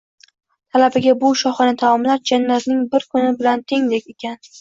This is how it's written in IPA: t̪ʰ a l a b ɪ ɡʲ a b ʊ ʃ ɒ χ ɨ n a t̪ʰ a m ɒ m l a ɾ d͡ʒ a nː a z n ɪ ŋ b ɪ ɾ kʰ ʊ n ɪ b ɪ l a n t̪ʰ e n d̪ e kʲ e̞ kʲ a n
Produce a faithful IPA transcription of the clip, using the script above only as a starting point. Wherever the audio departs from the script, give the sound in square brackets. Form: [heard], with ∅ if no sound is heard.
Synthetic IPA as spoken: t̪ʰ a l a b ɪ ɡʲ a b ʊ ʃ ɒ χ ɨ n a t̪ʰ a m ɒ m l a ɾ d͡ʒ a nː a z n ɪ ŋ b ɪ ɾ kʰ ʊ n ɪ b ɪ l a n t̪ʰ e [ŋ] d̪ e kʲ e̞ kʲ a n

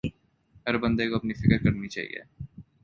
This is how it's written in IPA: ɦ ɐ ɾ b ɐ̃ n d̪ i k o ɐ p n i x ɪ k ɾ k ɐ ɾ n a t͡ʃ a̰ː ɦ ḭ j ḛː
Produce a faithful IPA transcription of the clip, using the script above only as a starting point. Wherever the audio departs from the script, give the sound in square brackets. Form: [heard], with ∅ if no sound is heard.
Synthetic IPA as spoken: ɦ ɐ ɾ b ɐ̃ n d̪ [e] k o ɐ p n i [f] ɪ k ɾ k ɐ ɾ n [i] t͡ʃ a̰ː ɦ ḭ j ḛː

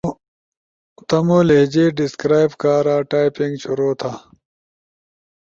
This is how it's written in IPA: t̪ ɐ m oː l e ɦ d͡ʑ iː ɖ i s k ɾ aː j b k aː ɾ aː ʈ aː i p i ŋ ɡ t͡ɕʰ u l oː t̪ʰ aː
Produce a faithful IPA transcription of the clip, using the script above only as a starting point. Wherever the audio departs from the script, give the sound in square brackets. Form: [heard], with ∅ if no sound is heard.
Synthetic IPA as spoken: t̪ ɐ m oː l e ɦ d͡ʑ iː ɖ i s k ɾ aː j b k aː ɾ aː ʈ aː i p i ŋ ɡ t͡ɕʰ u [ɾ] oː t̪ʰ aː

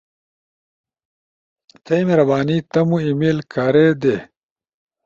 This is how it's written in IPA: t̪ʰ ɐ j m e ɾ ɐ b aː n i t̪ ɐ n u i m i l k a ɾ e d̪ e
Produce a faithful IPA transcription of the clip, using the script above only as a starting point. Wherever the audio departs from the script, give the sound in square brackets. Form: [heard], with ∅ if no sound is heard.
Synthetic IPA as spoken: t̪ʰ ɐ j m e ɾ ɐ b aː n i t̪ ɐ [m] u i m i l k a ɾ e d̪ e

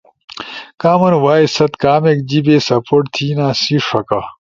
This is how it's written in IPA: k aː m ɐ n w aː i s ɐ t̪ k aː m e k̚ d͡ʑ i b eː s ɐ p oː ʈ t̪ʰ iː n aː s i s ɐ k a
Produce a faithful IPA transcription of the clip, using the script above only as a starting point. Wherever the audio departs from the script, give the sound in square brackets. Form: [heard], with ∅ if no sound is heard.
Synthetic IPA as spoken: k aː m ɐ n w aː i s ɐ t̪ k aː m e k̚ d͡ʑ i b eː s ɐ p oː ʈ t̪ʰ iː n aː s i [ʂ] ɐ k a

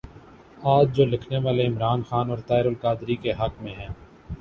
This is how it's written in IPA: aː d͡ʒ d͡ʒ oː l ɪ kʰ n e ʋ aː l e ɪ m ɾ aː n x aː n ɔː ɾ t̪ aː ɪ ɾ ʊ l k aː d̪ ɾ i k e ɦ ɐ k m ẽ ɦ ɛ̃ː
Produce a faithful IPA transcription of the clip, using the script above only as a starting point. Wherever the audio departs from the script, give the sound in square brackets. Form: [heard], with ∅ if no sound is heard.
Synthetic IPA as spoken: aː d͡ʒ d͡ʒ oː l ɪ kʰ n e ʋ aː l e ɪ m ɾ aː n x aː n ɔː ɾ t̪ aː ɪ ɾ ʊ l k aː d̪ ɾ i k e ɦ ɐ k m ẽ ɦ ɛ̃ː

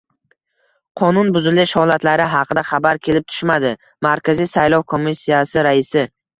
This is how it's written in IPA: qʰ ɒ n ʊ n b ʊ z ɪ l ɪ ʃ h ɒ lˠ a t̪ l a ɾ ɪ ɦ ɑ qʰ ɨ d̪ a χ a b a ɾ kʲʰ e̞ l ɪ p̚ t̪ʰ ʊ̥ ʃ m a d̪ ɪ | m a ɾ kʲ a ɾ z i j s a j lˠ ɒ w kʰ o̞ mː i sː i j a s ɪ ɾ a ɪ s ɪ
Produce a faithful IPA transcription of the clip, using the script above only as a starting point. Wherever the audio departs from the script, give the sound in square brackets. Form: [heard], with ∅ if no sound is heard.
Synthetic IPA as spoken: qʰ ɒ n ʊ n b ʊ z ɪ l ɪ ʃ h ɒ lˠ a t̪ l a ɾ ɪ ɦ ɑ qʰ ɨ d̪ a χ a b a ɾ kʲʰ e̞ l ɪ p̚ t̪ʰ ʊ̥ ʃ m a d̪ ɪ | m a ɾ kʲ a [∅] z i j s a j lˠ ɒ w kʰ o̞ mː i sː i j a s ɪ ɾ a ɪ s ɪ

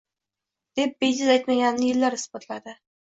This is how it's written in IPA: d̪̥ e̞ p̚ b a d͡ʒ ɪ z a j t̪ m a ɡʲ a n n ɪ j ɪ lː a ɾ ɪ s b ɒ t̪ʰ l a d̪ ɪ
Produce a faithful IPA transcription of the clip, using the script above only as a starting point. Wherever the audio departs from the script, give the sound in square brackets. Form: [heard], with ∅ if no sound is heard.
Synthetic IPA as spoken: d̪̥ e̞ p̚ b [e] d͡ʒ ɪ z a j t̪ m a ɡʲ a n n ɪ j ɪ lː a ɾ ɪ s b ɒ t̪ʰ l a d̪ ɪ

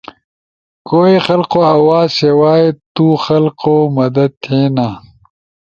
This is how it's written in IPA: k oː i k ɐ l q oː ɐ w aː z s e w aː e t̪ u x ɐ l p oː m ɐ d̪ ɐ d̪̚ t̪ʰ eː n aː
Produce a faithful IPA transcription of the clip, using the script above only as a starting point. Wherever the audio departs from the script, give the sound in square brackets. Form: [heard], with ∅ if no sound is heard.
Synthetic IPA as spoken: k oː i [x] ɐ l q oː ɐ w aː z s e w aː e t̪ u x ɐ l [q] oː m ɐ d̪ ɐ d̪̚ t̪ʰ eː n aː

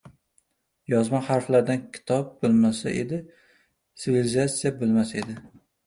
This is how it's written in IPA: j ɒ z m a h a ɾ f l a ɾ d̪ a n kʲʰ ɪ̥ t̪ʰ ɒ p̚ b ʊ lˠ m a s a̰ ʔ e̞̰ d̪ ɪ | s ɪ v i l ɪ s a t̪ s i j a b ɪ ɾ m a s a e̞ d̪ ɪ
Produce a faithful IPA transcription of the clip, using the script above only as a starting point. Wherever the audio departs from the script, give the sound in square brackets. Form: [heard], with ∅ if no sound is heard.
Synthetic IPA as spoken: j ɒ z m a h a ɾ f l a ɾ d̪ a n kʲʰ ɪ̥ t̪ʰ ɒ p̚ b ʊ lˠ m a s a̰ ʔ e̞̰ d̪ ɪ | s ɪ v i l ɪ [z] a t̪ s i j a b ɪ [l] m a s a e̞ d̪ ɪ

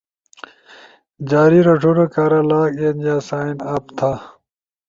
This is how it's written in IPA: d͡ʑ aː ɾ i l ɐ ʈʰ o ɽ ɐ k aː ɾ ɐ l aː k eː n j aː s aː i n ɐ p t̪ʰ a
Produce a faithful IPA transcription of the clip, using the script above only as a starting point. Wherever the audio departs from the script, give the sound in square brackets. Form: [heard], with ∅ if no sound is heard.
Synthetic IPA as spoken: d͡ʑ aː ɾ i [ɾ] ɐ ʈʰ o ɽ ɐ k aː ɾ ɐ l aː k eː n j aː s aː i n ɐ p t̪ʰ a

